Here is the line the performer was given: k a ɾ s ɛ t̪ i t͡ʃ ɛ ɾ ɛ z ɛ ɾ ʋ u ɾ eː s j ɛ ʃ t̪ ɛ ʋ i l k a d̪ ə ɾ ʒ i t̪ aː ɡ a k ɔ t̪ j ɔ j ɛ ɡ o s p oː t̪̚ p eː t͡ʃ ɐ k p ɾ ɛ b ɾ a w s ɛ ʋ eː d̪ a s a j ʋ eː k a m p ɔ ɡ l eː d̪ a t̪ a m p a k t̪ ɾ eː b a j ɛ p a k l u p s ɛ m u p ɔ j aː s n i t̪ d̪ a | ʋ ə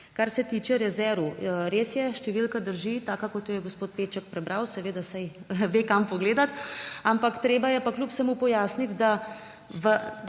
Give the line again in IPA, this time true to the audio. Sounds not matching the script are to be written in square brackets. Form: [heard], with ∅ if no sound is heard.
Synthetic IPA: k a ɾ s ɛ t̪ i t͡ʃ ɛ ɾ ɛ z ɛ ɾ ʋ u ɾ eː s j ɛ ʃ t̪ ɛ ʋ i l k a d̪ ə ɾ ʒ i t̪ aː [k] a k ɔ t̪ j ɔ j ɛ ɡ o s p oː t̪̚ p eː t͡ʃ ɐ k p ɾ ɛ b ɾ a w s ɛ ʋ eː d̪ a s a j ʋ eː k a m p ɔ ɡ l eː d̪ a t̪ a m p a k t̪ ɾ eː b a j ɛ p a k l u p s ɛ m u p ɔ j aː s n i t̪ d̪ a | ʋ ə